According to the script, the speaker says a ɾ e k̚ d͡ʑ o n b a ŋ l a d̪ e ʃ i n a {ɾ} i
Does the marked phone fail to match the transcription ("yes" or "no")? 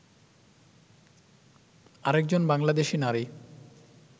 no